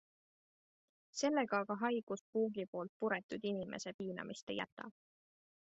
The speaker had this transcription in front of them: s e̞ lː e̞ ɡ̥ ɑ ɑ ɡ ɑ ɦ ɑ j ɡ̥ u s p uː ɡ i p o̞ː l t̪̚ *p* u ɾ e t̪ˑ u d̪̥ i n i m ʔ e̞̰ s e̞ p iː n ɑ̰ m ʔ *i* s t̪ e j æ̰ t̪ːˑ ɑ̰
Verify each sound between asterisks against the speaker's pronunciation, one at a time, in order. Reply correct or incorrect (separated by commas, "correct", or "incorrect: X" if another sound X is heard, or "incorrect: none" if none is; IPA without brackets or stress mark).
correct, correct